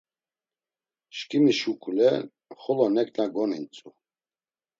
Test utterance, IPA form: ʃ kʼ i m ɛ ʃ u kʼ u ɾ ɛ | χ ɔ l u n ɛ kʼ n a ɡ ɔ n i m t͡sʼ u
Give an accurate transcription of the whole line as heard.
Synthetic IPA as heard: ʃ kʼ i m i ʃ u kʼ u l ɛ | χ ɔ l ɔ n ɛ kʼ n a ɡ ɔ n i n t͡sʼ u